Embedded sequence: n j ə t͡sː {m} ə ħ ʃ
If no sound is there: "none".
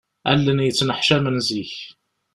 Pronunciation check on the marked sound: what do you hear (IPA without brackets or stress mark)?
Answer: n